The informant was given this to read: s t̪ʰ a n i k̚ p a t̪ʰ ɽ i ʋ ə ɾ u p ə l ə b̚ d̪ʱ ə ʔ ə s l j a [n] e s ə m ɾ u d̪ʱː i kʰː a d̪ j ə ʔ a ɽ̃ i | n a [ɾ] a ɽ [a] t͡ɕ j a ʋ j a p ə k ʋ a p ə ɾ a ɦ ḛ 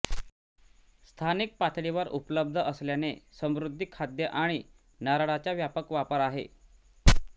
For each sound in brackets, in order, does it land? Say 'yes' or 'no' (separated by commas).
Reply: yes, yes, yes